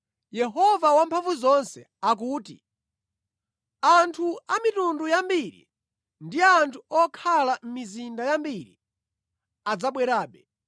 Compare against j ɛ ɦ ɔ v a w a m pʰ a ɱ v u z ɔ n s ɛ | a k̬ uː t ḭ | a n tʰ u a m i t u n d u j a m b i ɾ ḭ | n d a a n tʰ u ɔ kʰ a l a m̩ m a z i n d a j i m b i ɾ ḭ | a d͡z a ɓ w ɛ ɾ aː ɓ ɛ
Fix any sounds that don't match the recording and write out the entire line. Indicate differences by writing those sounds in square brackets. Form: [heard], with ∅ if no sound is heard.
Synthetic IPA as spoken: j ɛ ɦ ɔ v a w a m pʰ a ɱ v u z ɔ n s ɛ | a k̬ uː t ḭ | a n tʰ u a m i t u n d u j a m b i ɾ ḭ | n d [i] a n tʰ u ɔ kʰ a l a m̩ m [i] z i n d a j [a] m b i ɾ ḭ | a d͡z a ɓ w ɛ ɾ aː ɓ ɛ